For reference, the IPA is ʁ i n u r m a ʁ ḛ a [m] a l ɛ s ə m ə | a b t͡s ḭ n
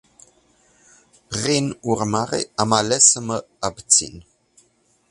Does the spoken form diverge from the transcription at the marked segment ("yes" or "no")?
no